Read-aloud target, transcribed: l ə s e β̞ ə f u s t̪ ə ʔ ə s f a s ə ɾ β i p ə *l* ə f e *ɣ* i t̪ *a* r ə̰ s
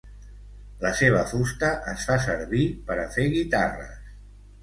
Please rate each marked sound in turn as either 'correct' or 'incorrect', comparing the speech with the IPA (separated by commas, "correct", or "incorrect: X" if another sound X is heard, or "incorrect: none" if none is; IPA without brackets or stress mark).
incorrect: ɾ, correct, correct